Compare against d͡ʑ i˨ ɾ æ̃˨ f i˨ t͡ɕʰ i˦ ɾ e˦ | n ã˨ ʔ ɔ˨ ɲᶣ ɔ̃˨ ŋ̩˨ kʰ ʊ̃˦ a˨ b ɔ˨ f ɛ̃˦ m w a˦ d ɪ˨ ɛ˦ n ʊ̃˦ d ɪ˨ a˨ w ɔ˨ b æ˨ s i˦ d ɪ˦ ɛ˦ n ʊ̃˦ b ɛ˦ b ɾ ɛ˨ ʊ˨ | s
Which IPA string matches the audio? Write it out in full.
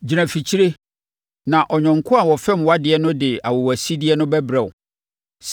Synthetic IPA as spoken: d͡ʑ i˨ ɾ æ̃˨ f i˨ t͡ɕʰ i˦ ɾ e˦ | n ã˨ ʔ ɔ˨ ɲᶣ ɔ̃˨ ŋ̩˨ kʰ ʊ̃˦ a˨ w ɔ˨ f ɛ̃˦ m w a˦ d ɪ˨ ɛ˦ n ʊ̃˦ d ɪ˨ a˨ w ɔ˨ w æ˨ s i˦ d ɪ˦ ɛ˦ n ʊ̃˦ b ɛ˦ b ɾ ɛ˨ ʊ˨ | s